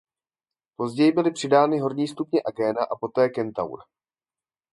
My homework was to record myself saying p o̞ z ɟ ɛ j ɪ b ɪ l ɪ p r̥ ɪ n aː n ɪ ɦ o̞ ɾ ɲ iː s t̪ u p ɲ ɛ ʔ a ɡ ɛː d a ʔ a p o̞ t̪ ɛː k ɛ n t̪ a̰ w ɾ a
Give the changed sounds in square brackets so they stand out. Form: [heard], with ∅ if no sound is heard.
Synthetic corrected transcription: p o̞ z ɟ ɛ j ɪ b ɪ l ɪ p r̥ ɪ [d] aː n ɪ ɦ o̞ ɾ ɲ iː s t̪ u p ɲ ɛ ʔ a ɡ ɛː [n] a ʔ a p o̞ t̪ ɛː k ɛ n t̪ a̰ w ɾ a